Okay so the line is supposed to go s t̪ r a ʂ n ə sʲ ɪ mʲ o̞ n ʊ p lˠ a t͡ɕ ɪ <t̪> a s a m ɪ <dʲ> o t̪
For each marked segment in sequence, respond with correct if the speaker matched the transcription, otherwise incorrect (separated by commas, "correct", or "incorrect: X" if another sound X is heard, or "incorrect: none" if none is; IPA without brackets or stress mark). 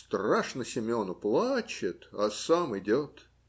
correct, correct